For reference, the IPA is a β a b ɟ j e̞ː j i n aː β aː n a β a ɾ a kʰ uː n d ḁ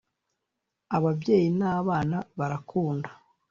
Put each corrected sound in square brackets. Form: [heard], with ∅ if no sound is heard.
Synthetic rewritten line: a β a b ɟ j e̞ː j i n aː β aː n a β a ɾ a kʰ uː n d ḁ